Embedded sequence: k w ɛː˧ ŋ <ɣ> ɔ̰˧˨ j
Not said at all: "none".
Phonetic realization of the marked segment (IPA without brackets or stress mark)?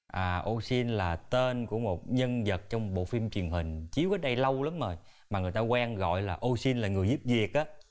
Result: ɣ